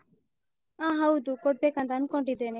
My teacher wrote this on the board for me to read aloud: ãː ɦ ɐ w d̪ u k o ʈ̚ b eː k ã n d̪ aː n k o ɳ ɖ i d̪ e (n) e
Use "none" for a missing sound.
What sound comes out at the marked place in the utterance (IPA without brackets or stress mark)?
n